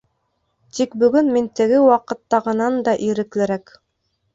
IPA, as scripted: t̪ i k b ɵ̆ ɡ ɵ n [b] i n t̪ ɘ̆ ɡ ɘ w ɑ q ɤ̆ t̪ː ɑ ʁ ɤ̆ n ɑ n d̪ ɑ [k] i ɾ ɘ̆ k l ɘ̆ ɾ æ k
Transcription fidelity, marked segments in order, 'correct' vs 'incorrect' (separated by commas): incorrect, incorrect